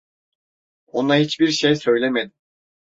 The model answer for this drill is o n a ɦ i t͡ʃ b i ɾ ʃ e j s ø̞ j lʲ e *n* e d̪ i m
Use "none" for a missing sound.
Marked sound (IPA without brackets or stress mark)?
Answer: m